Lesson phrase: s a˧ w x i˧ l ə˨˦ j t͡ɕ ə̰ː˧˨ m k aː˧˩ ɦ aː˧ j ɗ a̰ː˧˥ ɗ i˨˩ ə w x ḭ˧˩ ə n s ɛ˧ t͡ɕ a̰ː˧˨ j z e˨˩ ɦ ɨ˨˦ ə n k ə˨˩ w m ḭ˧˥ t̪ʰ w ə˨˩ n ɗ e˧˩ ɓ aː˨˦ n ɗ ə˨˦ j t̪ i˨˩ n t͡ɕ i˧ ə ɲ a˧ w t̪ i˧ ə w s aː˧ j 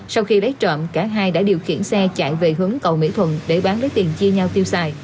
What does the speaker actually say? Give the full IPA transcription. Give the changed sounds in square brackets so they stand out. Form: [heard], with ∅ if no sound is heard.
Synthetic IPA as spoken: s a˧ w x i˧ l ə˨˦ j t͡ɕ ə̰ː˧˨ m k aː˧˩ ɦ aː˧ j ɗ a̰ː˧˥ ɗ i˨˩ ə w x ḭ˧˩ ə n s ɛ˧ t͡ɕ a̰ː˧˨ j [v] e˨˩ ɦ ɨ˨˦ ə [ŋ] k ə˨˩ w m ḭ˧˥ t̪ʰ w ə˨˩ n ɗ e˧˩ ɓ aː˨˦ n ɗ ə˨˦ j t̪ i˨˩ n t͡ɕ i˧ ə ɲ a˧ w t̪ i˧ ə w s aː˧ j

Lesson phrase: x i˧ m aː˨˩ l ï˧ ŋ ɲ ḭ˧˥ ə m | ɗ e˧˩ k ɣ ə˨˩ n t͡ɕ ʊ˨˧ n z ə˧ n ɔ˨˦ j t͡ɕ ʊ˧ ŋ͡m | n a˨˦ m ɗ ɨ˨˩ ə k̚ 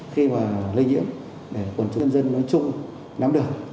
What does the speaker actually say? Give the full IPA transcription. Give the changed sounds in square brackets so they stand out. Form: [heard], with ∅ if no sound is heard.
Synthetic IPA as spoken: x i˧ m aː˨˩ l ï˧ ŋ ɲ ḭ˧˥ ə m | ɗ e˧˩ k [w] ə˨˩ n t͡ɕ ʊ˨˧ n z ə˧ [nː] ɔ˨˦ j t͡ɕ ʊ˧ ŋ͡m | n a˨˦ m ɗ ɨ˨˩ ə k̚

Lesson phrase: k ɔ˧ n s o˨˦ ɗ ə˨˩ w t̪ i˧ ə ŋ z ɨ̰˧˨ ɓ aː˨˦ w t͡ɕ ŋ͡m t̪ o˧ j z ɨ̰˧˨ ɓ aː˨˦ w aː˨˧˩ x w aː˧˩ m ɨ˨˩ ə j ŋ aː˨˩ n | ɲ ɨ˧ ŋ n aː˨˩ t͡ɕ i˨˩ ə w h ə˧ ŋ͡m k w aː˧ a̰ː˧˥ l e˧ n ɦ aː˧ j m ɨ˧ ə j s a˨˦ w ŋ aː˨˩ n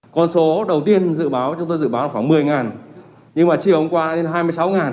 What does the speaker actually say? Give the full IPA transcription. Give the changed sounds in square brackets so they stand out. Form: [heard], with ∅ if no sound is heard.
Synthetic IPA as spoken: k ɔ˧ n s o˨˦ ɗ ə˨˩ w t̪ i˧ ə [n] z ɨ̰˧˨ ɓ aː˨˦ w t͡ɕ ŋ͡m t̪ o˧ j z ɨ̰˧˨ ɓ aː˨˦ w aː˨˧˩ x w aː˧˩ m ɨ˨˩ ə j ŋ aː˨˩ n | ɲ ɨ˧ ŋ [m] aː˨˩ t͡ɕ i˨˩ ə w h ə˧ ŋ͡m k w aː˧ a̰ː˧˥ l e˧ n ɦ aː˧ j m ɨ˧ ə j s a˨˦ w ŋ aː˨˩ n

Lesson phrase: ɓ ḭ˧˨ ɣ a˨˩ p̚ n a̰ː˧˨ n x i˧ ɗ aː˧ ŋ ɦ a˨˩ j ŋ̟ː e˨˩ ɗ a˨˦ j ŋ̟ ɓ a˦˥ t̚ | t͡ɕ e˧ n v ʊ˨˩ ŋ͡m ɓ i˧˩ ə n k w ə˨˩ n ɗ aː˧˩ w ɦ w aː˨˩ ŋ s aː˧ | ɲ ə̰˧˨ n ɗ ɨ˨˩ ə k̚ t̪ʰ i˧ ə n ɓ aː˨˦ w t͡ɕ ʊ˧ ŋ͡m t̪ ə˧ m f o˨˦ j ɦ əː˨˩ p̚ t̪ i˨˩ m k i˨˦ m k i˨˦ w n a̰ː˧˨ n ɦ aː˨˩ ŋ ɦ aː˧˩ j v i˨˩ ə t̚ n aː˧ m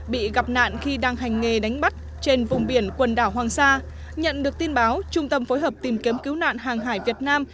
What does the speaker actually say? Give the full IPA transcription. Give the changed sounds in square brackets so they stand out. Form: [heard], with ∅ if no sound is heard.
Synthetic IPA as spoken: ɓ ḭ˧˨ ɣ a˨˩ p̚ n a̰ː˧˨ n x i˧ ɗ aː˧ ŋ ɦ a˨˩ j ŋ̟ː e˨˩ ɗ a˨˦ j ŋ̟ ɓ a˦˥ t̚ | t͡ɕ e˧ n v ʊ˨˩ ŋ͡m ɓ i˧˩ ə n k w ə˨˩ n ɗ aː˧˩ w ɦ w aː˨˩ ŋ s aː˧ | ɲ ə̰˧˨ n ɗ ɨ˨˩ ə k̚ [t̪] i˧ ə n ɓ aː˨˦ w t͡ɕ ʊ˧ ŋ͡m t̪ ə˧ m f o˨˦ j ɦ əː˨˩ p̚ t̪ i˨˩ m k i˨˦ m k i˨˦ w n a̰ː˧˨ n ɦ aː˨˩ ŋ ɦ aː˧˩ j v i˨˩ ə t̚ n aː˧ m

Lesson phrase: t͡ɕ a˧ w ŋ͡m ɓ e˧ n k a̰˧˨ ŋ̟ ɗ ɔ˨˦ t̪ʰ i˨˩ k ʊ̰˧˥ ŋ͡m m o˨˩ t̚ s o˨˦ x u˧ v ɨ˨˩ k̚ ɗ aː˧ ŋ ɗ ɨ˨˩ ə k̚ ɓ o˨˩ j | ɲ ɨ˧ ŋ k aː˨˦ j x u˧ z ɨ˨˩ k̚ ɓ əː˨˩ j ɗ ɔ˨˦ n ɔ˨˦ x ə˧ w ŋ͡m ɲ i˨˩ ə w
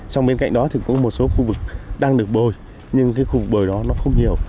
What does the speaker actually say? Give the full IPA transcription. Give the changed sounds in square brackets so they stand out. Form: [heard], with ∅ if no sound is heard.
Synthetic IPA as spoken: t͡ɕ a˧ w ŋ͡m ɓ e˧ n k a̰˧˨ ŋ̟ ɗ ɔ˨˦ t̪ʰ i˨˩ k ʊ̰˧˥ ŋ͡m m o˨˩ t̚ s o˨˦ x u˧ v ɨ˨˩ k̚ ɗ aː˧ ŋ ɗ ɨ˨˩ ə k̚ ɓ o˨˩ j | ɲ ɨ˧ ŋ k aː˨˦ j x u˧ [v] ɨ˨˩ k̚ ɓ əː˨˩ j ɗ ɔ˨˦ n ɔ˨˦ x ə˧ w ŋ͡m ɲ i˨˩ ə w

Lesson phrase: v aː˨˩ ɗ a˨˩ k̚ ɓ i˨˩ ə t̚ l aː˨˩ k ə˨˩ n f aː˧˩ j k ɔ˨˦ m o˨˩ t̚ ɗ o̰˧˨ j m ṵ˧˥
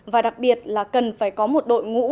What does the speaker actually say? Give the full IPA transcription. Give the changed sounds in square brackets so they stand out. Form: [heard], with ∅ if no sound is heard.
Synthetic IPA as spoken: v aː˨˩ ɗ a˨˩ k̚ ɓ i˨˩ ə t̚ l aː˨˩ k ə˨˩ n f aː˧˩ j k ɔ˨˦ m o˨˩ t̚ ɗ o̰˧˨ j [ŋ] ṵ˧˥

